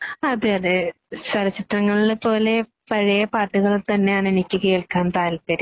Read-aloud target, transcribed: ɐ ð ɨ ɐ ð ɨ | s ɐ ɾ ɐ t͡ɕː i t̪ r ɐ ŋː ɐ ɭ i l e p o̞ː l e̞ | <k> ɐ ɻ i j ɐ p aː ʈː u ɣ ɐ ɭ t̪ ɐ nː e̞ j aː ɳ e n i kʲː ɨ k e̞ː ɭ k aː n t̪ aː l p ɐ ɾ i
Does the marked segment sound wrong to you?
yes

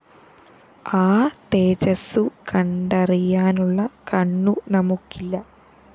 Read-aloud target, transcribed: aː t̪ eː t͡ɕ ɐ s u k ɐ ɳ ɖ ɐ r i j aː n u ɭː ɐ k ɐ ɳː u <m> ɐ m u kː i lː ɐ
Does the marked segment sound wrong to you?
yes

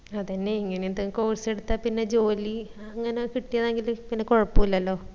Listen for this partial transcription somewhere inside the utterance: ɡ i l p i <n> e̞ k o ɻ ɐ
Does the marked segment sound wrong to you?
yes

